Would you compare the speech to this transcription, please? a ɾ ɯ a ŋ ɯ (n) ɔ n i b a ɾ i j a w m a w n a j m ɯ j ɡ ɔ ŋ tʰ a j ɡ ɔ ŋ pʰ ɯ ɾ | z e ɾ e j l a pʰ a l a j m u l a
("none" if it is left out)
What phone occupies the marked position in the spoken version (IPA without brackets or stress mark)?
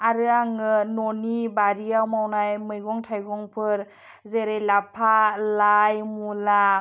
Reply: n